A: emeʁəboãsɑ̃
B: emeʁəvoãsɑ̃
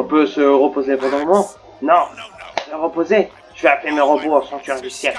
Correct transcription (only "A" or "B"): A